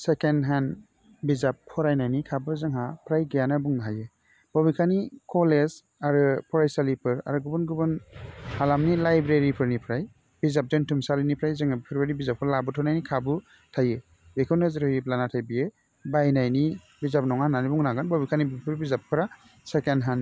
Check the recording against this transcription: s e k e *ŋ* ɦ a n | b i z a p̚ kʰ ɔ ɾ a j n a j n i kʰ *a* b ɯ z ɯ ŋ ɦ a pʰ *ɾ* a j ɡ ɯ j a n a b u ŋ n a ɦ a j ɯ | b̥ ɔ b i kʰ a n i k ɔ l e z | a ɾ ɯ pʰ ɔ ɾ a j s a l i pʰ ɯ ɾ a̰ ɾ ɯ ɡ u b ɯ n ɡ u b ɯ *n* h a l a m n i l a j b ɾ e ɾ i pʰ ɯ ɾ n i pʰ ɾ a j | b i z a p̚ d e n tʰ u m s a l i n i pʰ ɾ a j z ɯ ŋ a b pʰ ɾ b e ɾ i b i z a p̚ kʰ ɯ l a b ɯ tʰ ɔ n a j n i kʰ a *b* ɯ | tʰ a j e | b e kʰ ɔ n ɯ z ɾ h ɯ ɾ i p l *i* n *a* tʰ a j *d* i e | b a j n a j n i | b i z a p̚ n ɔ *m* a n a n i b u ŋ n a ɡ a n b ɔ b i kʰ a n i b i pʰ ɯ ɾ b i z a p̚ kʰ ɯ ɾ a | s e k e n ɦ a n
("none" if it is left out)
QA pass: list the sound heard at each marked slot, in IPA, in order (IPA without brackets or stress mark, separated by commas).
n, a, ɾ, n, b, a, a, b, ŋ